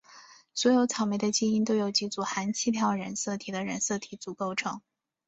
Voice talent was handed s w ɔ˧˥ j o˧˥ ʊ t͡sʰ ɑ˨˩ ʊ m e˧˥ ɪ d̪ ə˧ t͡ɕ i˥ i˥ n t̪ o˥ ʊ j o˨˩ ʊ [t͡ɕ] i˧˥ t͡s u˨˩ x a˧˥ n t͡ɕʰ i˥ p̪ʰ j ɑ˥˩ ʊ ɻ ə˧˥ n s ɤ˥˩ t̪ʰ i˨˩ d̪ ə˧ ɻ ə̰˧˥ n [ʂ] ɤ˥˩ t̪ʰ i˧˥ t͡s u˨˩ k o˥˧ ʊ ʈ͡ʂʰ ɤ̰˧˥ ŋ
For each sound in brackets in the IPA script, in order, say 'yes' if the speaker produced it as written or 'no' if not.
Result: yes, no

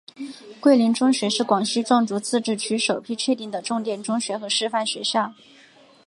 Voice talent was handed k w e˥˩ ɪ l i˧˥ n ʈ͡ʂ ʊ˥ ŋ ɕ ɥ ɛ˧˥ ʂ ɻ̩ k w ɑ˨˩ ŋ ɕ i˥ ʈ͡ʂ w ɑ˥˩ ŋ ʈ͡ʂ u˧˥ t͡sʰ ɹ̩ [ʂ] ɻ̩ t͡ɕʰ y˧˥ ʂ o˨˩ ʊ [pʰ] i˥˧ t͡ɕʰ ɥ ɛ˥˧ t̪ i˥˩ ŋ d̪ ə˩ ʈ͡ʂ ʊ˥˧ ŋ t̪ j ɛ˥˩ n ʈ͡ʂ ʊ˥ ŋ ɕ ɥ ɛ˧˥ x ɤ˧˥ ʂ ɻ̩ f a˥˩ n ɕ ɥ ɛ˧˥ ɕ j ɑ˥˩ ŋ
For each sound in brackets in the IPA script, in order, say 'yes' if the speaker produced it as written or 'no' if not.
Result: no, yes

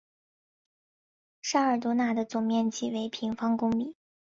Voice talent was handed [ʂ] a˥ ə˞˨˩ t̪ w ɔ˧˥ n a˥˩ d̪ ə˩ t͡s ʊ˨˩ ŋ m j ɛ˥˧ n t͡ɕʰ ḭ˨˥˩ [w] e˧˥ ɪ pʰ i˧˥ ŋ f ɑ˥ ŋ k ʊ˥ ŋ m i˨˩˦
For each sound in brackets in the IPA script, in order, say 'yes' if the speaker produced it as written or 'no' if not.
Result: yes, yes

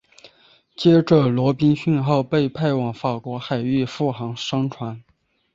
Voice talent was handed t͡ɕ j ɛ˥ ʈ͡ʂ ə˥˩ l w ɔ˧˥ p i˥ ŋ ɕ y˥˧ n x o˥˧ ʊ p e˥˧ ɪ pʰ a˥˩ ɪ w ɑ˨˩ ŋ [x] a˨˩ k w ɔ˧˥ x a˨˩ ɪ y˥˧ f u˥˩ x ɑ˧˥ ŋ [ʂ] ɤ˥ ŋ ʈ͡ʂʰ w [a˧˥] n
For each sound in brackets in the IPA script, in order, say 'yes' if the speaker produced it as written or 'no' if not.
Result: no, yes, yes

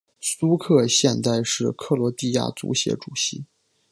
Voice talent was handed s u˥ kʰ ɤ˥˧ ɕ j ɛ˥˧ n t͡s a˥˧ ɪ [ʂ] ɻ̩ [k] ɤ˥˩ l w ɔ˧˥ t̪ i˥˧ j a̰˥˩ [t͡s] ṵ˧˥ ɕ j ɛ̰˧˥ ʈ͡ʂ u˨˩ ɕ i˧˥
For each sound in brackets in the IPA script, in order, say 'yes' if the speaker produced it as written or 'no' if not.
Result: yes, no, yes

